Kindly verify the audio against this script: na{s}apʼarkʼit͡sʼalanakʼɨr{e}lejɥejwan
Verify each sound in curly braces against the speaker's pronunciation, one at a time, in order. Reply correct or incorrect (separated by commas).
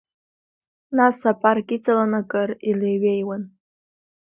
correct, incorrect